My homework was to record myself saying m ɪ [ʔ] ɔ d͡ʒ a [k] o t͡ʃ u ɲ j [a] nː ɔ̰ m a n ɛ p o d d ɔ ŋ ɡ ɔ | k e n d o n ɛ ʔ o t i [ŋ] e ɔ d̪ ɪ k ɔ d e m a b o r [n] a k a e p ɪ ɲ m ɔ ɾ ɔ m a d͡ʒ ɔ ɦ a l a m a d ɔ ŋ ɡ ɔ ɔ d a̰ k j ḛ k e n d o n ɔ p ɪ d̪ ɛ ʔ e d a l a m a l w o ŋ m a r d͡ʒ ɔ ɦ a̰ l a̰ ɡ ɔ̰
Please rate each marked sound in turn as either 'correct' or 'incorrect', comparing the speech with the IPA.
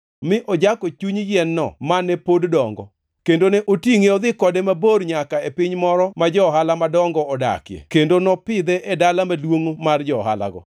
correct, correct, incorrect: ɛ, correct, incorrect: ɲ

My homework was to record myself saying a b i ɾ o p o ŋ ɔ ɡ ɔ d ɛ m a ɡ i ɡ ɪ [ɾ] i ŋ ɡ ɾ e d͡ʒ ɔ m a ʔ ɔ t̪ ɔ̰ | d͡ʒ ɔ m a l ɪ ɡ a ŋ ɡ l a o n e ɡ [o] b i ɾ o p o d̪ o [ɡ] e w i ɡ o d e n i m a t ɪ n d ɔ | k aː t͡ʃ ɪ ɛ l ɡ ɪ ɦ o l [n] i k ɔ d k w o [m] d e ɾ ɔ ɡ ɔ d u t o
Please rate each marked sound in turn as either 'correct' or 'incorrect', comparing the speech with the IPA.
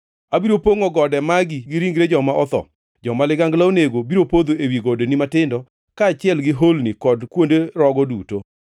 correct, correct, incorrect: none, correct, incorrect: n

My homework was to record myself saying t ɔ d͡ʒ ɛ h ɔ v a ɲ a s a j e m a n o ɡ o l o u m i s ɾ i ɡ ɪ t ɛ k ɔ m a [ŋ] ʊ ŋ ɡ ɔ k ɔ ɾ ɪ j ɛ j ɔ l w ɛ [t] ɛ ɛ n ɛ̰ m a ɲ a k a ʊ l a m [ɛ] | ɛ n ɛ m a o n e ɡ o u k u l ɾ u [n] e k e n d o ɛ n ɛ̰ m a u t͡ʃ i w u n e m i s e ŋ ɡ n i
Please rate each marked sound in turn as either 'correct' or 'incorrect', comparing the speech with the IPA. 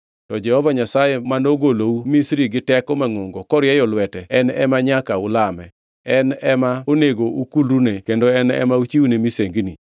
correct, correct, correct, correct

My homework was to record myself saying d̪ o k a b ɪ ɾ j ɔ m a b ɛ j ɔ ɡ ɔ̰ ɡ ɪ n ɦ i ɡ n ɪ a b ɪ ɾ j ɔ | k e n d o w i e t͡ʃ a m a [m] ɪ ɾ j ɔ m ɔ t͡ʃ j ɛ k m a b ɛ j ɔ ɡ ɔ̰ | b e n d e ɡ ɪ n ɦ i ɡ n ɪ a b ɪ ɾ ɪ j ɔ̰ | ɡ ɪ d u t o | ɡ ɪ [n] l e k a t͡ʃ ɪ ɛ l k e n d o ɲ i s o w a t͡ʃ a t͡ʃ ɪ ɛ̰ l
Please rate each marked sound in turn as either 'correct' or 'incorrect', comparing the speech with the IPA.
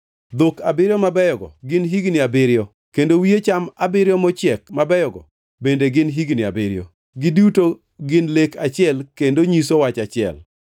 incorrect: b, correct

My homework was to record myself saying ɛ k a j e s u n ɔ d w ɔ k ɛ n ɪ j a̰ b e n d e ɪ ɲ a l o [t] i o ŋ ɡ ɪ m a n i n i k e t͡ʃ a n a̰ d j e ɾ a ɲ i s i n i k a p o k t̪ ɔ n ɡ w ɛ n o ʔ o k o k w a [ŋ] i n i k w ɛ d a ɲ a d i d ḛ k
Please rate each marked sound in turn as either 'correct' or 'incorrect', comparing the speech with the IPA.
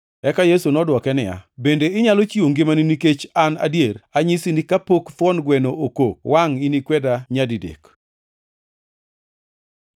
incorrect: t͡ʃ, correct

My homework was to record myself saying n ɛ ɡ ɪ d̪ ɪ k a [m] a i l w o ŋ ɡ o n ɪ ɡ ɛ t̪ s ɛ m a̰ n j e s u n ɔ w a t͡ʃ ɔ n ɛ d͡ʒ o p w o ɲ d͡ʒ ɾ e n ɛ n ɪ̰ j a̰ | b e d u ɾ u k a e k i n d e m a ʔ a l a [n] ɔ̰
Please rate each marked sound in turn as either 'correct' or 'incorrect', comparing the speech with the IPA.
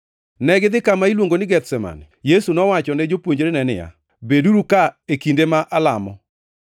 correct, incorrect: m

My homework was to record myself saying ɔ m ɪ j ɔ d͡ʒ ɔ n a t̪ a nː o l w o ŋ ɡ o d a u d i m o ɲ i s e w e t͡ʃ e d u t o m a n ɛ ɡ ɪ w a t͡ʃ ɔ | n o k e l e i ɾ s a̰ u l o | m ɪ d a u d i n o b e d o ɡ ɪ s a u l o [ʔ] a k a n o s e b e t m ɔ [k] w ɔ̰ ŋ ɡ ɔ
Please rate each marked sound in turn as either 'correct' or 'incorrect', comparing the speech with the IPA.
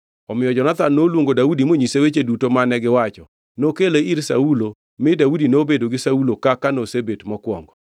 incorrect: k, correct

